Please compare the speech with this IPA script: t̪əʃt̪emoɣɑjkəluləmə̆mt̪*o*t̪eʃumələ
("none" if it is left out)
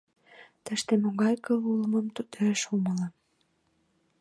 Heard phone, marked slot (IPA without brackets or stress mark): u